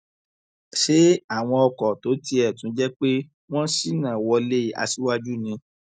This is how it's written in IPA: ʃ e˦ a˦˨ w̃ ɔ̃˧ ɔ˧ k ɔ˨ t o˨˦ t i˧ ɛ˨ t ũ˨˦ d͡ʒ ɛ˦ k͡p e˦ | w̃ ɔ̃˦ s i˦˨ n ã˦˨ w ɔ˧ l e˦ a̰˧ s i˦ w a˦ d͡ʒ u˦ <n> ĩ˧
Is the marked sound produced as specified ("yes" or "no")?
yes